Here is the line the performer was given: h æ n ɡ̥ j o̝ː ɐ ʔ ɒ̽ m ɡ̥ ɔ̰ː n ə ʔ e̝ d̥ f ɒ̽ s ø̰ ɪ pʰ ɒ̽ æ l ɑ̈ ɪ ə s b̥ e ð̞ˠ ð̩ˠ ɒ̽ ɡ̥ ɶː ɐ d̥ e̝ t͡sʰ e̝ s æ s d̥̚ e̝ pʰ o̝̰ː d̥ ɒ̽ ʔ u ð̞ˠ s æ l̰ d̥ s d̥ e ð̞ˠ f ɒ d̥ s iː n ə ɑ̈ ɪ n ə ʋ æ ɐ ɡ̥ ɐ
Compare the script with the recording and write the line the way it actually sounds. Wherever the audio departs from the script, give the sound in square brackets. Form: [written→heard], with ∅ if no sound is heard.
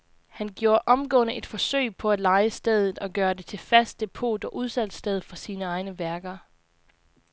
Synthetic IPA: h æ n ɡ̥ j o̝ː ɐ ʔ ɒ̽ m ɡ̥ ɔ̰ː n ə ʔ e̝ d̥ f ɒ̽ s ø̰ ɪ pʰ ɒ̽ æ l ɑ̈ ɪ ə s [b̥→d̥] e ð̞ˠ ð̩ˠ ɒ̽ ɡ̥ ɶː ɐ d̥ e̝ t͡sʰ e̝ [s→f] æ s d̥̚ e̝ pʰ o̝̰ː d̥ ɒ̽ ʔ u ð̞ˠ s æ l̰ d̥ s d̥ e ð̞ˠ f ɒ [d̥→∅] s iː n ə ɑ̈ ɪ n ə ʋ æ ɐ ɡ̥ ɐ